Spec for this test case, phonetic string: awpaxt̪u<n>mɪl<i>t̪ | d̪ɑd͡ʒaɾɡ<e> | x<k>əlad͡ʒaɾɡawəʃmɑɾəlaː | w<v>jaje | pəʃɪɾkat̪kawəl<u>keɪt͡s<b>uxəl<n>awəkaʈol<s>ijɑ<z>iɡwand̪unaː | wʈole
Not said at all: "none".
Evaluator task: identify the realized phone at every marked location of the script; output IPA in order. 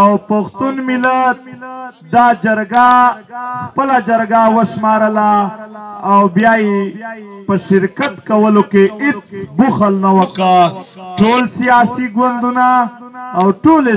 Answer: n, a, a, p, b, o, b, n, s, s

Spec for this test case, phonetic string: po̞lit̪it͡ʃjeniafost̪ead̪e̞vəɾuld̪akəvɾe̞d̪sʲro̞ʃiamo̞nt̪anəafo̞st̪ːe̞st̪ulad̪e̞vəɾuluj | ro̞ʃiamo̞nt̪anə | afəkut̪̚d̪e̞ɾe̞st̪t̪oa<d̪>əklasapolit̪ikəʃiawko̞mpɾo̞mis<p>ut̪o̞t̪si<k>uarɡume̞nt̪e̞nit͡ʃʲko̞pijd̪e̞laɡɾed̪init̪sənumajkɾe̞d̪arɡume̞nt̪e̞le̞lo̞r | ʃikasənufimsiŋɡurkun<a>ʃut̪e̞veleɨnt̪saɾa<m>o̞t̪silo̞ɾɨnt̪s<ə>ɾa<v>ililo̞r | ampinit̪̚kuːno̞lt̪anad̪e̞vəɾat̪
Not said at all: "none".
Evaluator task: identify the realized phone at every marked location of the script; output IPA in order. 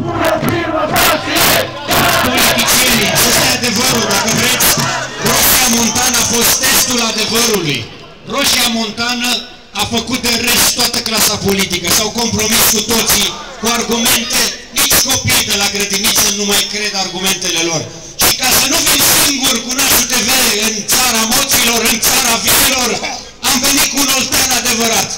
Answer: t̪, k, k, a, m, a, v

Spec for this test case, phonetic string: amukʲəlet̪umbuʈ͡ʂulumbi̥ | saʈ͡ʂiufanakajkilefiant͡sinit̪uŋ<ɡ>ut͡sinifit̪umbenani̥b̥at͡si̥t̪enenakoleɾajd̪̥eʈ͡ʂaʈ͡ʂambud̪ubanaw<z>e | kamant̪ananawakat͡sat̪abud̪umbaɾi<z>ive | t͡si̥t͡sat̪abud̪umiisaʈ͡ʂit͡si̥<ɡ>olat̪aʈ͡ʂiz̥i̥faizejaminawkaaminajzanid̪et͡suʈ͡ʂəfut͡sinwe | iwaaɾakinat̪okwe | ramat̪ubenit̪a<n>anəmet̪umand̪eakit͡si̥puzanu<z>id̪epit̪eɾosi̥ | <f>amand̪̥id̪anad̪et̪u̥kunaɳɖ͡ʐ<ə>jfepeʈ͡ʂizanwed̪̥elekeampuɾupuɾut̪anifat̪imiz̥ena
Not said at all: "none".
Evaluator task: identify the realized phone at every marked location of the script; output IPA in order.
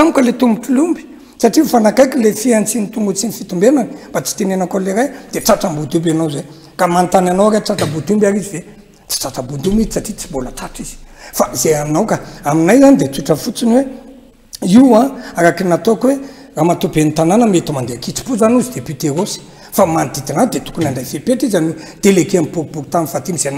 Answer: ɡ, z, z, b, n, z, f, a

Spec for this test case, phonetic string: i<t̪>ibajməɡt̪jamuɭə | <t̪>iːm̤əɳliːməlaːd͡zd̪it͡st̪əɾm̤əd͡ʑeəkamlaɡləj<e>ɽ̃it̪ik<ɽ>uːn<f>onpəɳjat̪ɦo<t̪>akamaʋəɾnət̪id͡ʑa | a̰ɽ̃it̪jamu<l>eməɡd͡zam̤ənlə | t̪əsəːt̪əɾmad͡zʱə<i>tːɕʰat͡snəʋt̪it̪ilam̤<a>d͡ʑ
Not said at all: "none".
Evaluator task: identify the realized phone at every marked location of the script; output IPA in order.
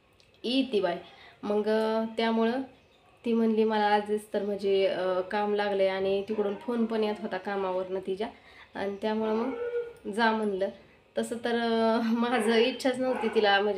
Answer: t̪, t̪, a, ɽ, f, t̪, ɭ, i, ə

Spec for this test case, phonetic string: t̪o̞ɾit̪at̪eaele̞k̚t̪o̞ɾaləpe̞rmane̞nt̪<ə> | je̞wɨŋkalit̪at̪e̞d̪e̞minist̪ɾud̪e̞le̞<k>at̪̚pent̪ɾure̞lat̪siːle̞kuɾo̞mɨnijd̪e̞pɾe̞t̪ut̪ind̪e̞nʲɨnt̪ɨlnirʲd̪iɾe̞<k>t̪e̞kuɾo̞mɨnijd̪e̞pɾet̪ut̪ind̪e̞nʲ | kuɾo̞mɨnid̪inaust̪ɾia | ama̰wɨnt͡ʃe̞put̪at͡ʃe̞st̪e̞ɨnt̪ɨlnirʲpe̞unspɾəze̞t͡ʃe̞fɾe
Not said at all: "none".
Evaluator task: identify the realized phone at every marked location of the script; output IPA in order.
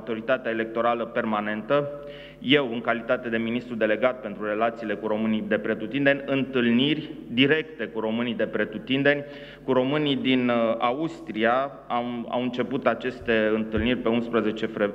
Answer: ə, ɡ, k

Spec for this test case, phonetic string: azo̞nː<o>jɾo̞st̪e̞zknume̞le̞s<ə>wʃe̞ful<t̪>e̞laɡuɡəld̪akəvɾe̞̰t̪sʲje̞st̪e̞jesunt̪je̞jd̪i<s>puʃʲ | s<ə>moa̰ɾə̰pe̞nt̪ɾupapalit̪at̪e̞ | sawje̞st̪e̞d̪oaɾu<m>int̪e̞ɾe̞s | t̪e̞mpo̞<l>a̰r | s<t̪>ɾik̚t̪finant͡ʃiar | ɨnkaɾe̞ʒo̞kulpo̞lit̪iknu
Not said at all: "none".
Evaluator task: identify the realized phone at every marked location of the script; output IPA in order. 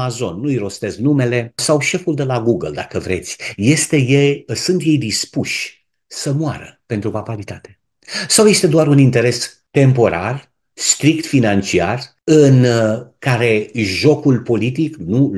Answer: u, a, d̪, s, ə, n, ɾ, t̪

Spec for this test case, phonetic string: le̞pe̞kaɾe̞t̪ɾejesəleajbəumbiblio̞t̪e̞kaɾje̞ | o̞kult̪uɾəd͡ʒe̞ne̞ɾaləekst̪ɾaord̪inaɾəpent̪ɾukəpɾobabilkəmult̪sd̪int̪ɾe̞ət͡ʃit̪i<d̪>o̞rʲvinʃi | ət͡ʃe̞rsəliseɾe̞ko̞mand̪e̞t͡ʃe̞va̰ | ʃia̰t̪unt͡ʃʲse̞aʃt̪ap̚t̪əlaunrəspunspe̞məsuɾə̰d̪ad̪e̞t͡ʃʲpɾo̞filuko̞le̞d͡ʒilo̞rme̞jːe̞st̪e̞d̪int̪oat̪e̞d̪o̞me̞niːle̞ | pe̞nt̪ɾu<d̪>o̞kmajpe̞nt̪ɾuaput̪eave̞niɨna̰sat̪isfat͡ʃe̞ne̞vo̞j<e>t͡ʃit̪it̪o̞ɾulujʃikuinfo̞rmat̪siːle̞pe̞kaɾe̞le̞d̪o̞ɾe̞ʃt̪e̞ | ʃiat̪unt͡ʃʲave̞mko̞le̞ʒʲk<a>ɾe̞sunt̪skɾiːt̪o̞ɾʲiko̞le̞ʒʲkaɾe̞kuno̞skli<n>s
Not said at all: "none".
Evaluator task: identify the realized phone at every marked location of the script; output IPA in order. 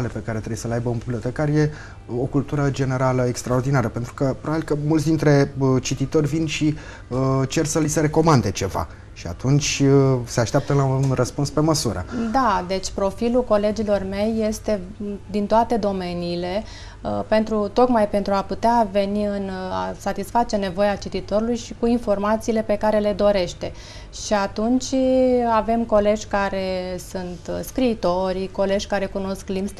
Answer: t̪, t̪, a, a, m

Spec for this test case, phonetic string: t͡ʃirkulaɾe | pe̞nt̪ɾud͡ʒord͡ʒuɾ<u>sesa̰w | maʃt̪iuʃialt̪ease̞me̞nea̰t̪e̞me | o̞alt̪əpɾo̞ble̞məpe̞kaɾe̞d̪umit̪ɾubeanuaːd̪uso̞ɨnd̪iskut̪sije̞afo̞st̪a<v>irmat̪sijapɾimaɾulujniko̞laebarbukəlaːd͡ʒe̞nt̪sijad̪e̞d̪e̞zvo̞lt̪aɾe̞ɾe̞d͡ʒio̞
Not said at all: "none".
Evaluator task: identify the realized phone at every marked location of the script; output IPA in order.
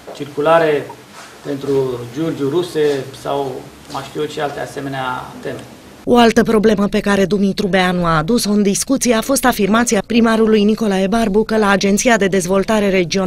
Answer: u, f

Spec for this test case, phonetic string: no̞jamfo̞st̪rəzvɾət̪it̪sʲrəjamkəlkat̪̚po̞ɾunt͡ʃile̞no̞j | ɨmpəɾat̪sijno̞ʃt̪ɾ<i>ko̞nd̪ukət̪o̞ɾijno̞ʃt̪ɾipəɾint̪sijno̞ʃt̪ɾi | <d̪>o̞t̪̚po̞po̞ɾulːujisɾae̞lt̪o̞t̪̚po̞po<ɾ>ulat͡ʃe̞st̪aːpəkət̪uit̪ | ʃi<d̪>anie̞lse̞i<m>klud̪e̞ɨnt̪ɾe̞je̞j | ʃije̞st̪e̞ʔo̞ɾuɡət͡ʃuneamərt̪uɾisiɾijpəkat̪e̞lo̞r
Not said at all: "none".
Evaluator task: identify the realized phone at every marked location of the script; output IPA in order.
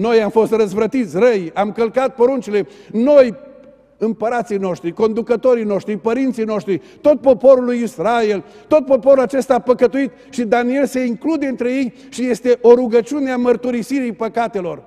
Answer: i, t̪, ɾ, d̪, ŋ

